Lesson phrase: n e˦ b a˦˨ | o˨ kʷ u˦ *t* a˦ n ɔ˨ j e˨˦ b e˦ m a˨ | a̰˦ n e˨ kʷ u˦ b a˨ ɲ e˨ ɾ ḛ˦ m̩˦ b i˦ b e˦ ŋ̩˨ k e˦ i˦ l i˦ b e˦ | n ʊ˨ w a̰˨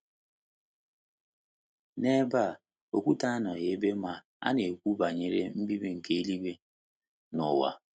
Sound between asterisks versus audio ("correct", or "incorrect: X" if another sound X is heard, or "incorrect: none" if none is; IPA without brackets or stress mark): correct